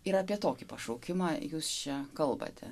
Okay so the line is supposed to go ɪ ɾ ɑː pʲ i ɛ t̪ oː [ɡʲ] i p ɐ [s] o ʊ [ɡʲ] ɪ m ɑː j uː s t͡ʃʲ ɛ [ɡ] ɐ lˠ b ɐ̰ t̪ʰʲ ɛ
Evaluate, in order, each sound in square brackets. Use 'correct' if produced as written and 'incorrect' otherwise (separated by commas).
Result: incorrect, incorrect, incorrect, incorrect